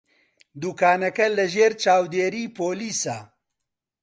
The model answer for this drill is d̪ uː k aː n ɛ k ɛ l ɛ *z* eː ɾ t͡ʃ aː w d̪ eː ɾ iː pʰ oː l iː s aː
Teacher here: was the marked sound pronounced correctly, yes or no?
no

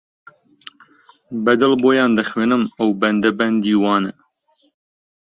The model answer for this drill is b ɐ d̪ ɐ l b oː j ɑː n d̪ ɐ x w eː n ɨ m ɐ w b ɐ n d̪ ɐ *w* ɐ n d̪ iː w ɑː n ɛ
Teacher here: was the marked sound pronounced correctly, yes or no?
no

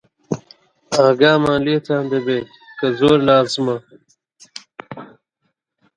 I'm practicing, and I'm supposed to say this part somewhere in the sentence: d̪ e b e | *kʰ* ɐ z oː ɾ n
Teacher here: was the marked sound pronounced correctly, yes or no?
no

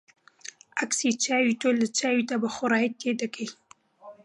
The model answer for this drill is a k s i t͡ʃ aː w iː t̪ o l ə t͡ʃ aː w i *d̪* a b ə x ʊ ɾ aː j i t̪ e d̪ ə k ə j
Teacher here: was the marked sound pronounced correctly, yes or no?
no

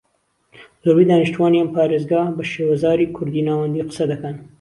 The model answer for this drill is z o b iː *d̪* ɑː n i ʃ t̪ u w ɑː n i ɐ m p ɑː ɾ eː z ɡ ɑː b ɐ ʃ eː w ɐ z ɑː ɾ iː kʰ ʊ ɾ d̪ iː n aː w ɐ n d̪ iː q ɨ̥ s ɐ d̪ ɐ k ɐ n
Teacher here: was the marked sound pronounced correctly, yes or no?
yes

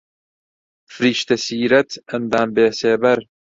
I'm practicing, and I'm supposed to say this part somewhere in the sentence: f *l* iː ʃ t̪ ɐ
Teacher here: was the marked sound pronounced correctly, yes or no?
no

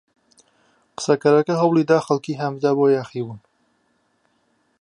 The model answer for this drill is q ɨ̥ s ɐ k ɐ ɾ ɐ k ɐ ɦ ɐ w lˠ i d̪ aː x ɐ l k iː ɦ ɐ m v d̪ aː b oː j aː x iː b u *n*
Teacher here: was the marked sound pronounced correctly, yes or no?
yes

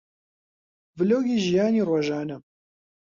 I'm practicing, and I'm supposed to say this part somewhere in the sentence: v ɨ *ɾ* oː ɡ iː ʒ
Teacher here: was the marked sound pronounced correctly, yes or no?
no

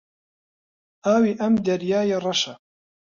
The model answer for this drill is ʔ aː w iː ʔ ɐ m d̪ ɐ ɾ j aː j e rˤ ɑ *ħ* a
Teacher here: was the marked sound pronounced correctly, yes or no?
no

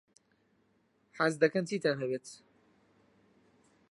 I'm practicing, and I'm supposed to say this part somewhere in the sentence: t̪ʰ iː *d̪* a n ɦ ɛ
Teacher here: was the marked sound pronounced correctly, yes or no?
no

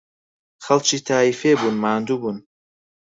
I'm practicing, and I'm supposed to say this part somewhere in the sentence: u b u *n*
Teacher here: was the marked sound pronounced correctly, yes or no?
yes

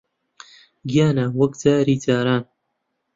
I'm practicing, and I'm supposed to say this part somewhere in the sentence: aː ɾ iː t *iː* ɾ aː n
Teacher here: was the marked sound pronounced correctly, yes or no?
no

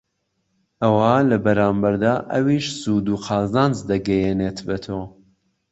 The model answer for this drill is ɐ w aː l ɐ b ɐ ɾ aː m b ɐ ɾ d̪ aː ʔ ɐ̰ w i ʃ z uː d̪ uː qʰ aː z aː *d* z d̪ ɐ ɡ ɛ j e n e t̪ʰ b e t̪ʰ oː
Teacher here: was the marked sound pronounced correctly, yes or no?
no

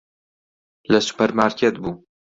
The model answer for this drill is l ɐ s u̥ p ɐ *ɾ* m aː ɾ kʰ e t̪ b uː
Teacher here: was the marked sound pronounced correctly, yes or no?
yes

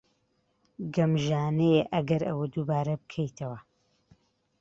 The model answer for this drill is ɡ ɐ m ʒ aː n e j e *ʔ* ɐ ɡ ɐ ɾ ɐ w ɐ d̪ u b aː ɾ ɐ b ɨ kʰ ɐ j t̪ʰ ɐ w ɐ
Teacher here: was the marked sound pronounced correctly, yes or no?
yes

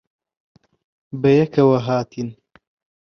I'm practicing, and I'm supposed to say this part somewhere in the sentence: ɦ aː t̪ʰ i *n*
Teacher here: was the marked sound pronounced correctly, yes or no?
yes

